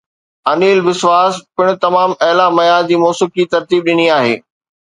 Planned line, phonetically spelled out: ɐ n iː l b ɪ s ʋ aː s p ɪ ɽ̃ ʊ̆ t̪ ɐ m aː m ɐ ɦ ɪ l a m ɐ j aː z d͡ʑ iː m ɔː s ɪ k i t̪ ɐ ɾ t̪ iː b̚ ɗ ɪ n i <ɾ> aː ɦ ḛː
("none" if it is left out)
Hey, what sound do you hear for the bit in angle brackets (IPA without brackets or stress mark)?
none